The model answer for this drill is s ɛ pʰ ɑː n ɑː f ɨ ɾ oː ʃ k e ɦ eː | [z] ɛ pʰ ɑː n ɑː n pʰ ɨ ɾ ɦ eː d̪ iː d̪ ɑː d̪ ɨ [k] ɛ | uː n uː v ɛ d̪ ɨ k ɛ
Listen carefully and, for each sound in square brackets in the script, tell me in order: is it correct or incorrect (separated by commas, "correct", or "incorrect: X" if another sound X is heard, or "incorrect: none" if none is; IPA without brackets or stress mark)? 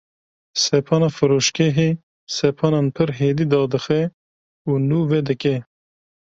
incorrect: s, incorrect: x